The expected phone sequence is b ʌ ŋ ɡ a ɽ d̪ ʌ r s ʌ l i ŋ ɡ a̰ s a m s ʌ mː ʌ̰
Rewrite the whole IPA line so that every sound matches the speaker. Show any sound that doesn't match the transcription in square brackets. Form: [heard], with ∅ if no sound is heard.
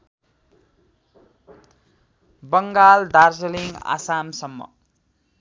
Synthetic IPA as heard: b ʌ ŋ ɡ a [l] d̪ [a] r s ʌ l i ŋ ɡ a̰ s a m s ʌ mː ʌ̰